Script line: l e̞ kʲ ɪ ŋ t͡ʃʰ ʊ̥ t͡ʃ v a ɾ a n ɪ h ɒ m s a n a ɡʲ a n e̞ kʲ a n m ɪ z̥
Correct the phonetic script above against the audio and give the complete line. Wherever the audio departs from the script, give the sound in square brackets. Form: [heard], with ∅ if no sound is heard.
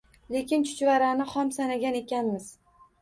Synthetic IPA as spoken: l e̞ kʲ ɪ [n] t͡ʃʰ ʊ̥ t͡ʃ v a ɾ a n ɪ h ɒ m s a n a ɡʲ a n e̞ kʲ a n m ɪ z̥